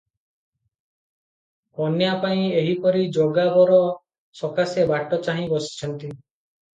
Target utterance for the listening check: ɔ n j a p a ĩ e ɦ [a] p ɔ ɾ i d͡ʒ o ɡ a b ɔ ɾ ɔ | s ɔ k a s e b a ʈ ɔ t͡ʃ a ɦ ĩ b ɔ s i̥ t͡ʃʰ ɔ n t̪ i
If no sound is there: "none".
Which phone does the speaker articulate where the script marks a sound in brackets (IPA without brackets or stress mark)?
i